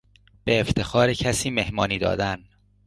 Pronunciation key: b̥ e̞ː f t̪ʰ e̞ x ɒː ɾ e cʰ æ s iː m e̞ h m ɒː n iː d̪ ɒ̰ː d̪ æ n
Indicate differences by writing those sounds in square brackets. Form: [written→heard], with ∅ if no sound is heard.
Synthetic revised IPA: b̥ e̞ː f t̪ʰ e̞ x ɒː ɾ e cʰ æ s iː m e̞ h m ɒː n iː d̪ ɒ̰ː d̪ æ n